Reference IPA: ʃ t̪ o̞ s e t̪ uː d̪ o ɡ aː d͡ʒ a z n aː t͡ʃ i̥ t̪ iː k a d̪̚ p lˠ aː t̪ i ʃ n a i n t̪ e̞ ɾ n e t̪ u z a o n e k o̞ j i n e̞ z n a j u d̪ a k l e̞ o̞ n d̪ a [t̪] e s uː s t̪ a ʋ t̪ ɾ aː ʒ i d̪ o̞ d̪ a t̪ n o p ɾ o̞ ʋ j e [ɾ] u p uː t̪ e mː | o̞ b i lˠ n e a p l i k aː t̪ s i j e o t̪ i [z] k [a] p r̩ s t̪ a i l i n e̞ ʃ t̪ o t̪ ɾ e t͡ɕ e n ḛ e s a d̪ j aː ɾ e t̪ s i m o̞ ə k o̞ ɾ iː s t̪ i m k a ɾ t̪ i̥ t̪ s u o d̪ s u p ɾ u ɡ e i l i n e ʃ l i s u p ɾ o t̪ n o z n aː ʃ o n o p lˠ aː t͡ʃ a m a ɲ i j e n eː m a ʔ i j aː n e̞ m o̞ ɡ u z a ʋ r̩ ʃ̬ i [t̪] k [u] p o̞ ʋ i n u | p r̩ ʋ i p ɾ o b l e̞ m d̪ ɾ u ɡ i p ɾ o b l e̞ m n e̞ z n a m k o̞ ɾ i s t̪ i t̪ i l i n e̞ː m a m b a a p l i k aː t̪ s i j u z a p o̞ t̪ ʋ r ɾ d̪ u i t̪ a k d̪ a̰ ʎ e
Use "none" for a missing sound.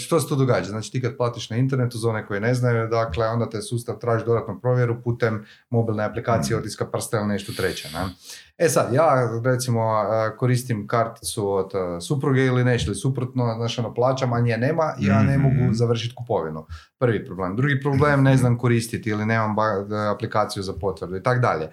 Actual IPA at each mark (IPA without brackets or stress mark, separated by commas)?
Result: t̪, ɾ, s, a, t̪, u